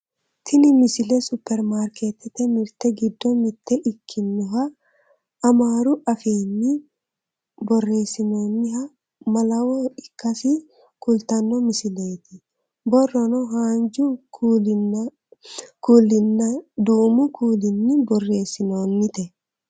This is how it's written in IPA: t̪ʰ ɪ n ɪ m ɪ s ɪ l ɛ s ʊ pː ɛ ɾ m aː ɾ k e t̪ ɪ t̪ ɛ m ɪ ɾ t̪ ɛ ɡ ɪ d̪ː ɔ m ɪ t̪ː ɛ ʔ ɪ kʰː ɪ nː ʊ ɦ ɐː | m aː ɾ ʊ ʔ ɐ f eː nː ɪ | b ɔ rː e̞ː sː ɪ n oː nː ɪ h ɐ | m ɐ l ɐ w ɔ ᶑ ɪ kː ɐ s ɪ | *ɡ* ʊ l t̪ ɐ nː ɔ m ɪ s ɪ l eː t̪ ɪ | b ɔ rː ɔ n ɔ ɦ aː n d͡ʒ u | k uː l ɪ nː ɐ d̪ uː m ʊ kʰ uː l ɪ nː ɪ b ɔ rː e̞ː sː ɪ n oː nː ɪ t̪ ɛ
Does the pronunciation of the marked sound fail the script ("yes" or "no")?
yes